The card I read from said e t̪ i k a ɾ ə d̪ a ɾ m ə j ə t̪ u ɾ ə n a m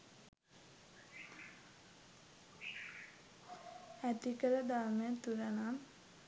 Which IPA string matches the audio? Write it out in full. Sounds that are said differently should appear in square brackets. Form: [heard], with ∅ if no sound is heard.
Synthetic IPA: [æ] t̪ i k [ə] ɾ ə d̪ a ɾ m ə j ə t̪ u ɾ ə n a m

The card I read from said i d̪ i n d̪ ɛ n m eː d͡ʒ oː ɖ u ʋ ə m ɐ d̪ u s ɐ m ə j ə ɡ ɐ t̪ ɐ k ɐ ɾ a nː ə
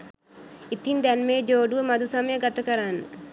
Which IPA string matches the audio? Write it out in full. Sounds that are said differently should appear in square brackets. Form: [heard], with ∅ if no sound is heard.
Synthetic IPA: i [t̪] i n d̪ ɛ n m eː d͡ʒ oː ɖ u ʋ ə m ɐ d̪ u s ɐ m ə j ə ɡ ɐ t̪ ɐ k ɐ ɾ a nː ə

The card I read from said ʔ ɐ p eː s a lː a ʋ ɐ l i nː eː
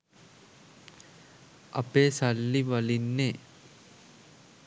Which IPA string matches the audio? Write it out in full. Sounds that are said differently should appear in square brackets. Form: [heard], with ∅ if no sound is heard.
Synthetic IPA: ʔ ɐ p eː s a lː [i] ʋ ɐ l i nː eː

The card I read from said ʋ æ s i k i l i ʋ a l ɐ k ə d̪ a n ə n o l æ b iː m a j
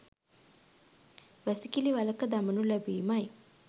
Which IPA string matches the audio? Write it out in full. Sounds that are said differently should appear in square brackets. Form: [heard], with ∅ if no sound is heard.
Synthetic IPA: ʋ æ s i k i l i ʋ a l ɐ k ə d̪ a [m] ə n [u] l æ b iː m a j

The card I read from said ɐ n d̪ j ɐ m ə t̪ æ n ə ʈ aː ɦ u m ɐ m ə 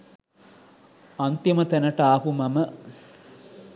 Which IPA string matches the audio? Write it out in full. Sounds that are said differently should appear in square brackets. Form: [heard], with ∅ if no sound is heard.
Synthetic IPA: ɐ n [t̪] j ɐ m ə t̪ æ n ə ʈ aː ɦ u m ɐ m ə

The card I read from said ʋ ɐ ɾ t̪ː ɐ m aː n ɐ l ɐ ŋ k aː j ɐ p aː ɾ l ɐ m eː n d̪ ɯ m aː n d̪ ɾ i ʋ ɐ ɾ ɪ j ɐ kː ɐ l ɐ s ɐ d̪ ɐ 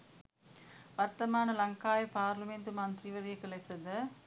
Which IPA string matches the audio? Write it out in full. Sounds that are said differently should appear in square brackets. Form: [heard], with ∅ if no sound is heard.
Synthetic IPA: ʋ ɐ ɾ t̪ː ɐ m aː n ɐ l ɐ ŋ k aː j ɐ p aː ɾ l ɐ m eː n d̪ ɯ m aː n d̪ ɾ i ʋ ɐ ɾ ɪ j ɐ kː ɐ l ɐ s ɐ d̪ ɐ

